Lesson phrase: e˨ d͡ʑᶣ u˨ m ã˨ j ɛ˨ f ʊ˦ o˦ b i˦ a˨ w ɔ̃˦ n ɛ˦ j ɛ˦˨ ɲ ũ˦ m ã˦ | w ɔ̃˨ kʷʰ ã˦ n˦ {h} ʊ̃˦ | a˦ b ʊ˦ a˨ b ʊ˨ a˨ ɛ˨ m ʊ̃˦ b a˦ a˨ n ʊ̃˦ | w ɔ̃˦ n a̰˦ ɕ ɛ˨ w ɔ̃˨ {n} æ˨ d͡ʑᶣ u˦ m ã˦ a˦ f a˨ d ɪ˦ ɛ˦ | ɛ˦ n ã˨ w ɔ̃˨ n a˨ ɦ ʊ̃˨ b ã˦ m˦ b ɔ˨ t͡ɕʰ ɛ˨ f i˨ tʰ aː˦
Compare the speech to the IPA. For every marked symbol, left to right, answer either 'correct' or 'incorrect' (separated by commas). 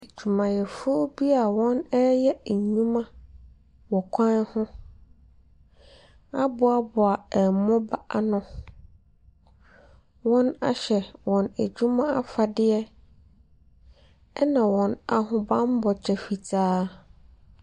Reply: correct, correct